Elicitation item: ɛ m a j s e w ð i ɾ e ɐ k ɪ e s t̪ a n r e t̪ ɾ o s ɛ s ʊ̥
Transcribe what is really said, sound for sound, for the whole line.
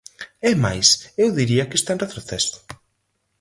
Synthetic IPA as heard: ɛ m a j s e w ð i ɾ i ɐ k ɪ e s t̪ a n r e t̪ ɾ o θ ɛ s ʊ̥